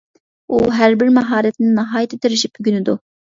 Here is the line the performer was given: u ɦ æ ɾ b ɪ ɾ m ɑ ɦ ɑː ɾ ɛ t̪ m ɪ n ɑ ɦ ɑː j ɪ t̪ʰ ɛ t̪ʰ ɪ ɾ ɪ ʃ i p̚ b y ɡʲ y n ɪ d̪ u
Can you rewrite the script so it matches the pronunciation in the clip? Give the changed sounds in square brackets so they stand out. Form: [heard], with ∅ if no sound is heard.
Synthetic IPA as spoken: u ɦ æ ɾ b ɪ ɾ m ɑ ɦ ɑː ɾ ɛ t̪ [n] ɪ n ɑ ɦ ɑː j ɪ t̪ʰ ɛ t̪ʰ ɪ ɾ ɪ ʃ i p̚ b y ɡʲ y n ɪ d̪ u

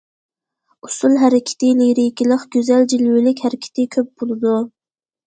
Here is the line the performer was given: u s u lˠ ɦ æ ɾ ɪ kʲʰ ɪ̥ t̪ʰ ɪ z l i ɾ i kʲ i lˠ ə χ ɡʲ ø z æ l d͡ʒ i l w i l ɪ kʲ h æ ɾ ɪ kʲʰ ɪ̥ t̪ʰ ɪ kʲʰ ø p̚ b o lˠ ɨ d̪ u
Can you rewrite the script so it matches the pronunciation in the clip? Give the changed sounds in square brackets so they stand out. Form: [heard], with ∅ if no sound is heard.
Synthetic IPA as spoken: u s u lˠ ɦ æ ɾ ɪ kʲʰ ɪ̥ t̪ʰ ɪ [∅] l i ɾ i kʲ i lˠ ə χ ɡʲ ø z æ l d͡ʒ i l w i l ɪ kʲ h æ ɾ ɪ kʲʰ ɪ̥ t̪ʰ ɪ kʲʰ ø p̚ b o lˠ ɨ d̪ u

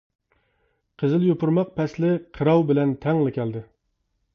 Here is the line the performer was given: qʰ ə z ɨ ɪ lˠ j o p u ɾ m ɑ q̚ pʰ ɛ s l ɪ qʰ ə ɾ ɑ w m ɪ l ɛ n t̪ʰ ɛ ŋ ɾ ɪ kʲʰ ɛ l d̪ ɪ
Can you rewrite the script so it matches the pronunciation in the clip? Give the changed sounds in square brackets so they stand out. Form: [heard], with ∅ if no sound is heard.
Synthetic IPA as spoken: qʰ ə z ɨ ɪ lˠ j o p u ɾ m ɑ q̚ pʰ ɛ s l ɪ qʰ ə ɾ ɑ w [b] ɪ l ɛ n t̪ʰ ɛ ŋ [l] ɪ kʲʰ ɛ l d̪ ɪ

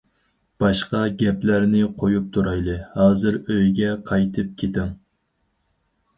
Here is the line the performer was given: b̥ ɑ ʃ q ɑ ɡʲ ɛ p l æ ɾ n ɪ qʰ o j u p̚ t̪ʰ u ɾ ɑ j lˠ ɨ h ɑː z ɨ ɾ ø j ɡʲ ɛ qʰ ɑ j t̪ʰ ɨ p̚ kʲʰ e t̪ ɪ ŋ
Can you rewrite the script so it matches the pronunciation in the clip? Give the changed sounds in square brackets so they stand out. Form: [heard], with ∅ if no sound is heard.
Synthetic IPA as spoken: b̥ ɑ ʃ q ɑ ɡʲ ɛ p l æ ɾ n ɪ qʰ o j u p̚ t̪ʰ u ɾ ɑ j lˠ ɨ h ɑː z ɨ ɾ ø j ɡʲ ɛ qʰ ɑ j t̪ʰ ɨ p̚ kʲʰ e t̪ ɪ ŋ

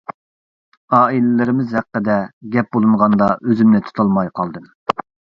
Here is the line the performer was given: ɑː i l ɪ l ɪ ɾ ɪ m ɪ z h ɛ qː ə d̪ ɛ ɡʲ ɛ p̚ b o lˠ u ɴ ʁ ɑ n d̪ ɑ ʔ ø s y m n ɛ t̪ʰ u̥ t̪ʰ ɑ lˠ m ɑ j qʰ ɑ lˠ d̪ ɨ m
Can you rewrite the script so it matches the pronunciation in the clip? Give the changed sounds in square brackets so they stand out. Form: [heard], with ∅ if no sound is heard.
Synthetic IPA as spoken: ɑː i l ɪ l ɪ ɾ ɪ m ɪ z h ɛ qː ə d̪ ɛ ɡʲ ɛ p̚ b o lˠ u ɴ ʁ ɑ n d̪ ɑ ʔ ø [z] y m n ɛ t̪ʰ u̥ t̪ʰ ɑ lˠ m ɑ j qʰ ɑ lˠ d̪ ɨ m

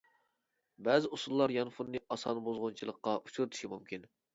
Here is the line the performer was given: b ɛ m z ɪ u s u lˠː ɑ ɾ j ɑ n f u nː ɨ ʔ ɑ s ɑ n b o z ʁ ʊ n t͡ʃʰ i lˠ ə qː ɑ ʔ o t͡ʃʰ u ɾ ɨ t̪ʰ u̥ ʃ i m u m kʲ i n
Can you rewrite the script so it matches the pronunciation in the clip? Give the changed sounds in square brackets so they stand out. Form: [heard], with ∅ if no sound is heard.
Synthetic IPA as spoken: b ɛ [∅] z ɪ u s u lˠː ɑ ɾ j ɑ n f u nː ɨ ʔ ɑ s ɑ n b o z ʁ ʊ n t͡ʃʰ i lˠ ə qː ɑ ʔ [u] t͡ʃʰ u ɾ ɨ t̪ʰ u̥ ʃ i m u m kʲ i n

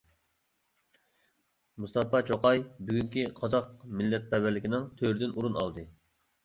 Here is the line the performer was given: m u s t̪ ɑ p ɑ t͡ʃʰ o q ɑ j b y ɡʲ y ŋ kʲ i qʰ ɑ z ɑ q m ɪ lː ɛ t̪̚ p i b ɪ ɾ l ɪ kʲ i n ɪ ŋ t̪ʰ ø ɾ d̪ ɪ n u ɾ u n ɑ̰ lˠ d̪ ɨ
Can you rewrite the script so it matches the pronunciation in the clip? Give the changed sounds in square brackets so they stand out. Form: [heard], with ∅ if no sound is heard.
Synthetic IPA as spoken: m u s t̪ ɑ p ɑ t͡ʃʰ o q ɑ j b y ɡʲ y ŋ kʲ i qʰ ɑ z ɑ q m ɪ lː ɛ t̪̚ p [ɛ] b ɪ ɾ l ɪ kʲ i n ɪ ŋ t̪ʰ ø ɾ d̪ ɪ n u ɾ u n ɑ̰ lˠ d̪ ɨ

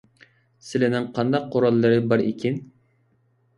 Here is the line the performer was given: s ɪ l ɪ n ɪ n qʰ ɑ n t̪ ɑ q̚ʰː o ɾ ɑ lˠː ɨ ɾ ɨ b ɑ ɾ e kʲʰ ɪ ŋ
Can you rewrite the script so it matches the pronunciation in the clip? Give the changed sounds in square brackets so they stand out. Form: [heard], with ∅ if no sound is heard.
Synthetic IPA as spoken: s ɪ l ɪ n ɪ [ŋ] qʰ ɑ n [d̪] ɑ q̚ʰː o ɾ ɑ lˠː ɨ ɾ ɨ b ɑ ɾ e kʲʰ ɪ [n]

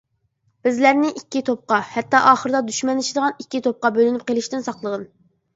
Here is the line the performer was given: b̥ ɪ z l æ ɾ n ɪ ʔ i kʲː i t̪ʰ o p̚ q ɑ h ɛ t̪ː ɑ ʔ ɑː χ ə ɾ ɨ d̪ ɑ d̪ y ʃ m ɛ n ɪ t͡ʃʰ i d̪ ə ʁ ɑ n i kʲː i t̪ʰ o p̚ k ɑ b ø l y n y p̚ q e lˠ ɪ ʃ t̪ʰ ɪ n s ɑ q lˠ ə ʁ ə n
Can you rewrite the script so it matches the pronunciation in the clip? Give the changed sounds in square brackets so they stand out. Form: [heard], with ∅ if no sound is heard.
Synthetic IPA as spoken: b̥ ɪ z l æ ɾ n ɪ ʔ i kʲː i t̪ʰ o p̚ q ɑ h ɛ t̪ː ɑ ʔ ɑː χ ə ɾ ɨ d̪ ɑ d̪ y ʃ m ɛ n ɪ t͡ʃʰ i d̪ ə ʁ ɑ n i kʲː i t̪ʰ o p̚ [q] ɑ b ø l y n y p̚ q e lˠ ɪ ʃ [t̪] ɪ n s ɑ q lˠ ə ʁ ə n

